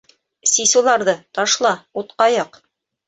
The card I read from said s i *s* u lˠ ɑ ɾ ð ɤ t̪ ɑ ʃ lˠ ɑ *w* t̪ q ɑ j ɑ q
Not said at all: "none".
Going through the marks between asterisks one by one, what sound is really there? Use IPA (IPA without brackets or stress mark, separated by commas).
s, u